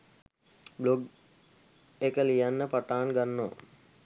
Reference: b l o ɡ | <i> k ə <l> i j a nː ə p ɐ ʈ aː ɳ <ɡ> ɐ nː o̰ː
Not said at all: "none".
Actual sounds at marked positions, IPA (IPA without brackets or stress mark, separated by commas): e, l, ɡ